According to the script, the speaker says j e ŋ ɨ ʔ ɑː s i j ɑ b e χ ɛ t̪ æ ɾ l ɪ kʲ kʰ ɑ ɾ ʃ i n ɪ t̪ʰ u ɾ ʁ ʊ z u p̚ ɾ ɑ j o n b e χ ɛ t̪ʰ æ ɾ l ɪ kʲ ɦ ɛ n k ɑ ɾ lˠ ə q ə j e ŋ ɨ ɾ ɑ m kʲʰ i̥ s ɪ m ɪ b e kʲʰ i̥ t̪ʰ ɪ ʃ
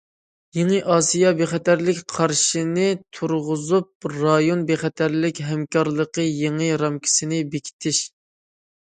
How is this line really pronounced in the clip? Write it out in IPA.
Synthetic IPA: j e ŋ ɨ ʔ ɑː s i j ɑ b e χ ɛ t̪ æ ɾ l ɪ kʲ qʰ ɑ ɾ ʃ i n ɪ t̪ʰ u ɾ ʁ ʊ z u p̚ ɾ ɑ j o n b e χ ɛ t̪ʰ æ ɾ l ɪ kʲ ɦ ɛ m k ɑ ɾ lˠ ə q ə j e ŋ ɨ ɾ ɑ m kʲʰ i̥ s ɪ n ɪ b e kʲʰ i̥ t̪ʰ ɪ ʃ